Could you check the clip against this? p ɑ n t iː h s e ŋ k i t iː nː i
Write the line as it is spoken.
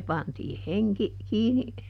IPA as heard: p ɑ n t iː h h e ŋ k i k iː n i